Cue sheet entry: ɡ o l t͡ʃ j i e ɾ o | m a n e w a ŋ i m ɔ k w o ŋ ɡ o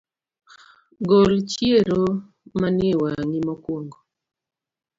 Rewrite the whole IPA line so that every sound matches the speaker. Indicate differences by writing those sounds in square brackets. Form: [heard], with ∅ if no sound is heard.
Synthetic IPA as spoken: ɡ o l t͡ʃ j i e ɾ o | m a n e w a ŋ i m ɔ k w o ŋ ɡ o